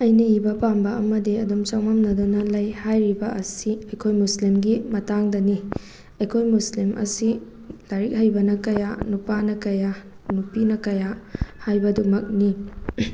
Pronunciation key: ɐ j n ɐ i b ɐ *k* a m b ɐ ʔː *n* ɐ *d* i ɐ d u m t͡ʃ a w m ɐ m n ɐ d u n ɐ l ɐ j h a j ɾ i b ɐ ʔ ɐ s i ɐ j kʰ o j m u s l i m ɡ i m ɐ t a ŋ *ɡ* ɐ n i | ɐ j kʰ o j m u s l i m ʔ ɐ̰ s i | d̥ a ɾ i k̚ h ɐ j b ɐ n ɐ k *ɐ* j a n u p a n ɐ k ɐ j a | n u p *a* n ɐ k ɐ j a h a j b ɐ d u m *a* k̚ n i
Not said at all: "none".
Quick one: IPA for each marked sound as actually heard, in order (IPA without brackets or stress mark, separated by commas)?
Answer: p, m, d, d, ɐ, i, ɐ